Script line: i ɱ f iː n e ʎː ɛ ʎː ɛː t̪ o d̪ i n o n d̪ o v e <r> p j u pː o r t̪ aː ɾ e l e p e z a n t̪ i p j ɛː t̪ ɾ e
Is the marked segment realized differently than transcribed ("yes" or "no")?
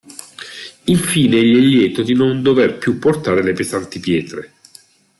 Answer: no